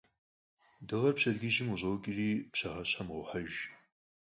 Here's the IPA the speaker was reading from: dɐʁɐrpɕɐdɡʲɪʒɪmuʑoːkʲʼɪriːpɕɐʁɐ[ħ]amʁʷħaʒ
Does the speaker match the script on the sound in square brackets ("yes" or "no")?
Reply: no